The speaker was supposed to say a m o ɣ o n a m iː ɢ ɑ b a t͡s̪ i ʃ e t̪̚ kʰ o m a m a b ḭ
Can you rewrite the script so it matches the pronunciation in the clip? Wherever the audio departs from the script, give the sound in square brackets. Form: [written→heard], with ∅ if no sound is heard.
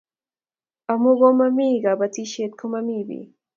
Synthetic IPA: a m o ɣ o [n→m] a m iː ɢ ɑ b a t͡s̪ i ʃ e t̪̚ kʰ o m a m [a→i] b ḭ